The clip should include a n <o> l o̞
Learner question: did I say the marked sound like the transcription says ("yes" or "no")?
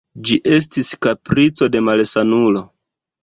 no